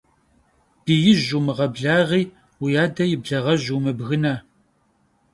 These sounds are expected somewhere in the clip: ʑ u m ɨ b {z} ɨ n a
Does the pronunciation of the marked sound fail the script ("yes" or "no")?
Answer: yes